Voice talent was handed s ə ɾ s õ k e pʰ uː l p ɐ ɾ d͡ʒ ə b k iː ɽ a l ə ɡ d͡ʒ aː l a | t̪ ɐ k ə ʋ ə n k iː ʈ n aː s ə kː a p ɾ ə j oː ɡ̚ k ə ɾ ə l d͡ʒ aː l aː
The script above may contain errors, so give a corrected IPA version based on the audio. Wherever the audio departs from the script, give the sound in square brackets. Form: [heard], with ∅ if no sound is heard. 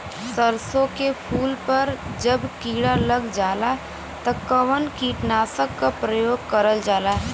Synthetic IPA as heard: s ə ɾ s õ k e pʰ uː l p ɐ ɾ d͡ʒ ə b k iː ɽ a l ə ɡ d͡ʒ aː l a | t̪ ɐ k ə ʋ ə n k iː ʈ n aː s ə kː a p ɾ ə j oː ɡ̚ k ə ɾ ə l d͡ʒ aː l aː